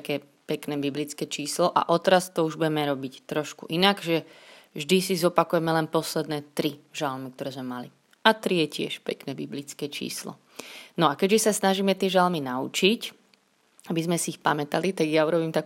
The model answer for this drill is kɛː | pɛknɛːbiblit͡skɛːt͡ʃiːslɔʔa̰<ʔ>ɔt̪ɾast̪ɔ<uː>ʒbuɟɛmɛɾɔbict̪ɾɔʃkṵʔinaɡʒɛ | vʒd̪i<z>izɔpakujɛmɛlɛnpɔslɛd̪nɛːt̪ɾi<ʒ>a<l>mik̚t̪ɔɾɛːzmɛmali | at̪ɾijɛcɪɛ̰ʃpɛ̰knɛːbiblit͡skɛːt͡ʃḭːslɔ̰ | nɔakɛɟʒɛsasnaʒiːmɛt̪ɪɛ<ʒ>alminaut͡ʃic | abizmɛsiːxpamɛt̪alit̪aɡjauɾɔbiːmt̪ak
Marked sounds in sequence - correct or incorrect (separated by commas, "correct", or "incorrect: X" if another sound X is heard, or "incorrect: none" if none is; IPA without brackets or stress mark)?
correct, incorrect: u, incorrect: s, correct, correct, correct